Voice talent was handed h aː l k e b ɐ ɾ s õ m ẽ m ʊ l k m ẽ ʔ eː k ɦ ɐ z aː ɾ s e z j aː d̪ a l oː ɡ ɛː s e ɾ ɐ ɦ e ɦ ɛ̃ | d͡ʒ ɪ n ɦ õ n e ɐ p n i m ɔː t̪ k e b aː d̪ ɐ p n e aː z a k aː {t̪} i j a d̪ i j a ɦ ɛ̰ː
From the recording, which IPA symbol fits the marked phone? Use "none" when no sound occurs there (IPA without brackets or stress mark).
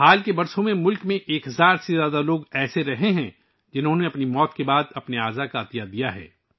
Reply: t̪